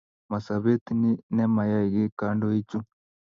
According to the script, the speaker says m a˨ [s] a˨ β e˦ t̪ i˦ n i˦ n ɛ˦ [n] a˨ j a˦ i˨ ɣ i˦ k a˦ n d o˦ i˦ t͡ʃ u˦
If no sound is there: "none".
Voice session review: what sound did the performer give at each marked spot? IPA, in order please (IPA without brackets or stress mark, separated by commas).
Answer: s, m